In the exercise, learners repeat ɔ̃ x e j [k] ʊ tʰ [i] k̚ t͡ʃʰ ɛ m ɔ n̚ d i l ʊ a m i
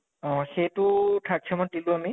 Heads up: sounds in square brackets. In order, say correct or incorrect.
incorrect: t, incorrect: a

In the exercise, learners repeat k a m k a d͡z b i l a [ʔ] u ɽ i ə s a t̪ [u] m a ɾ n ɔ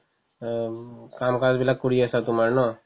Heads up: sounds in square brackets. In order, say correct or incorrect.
incorrect: k, correct

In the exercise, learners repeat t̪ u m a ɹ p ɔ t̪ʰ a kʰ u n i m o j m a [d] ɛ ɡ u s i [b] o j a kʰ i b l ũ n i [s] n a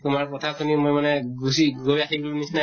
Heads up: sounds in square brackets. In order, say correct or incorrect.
incorrect: n, incorrect: ɡ, correct

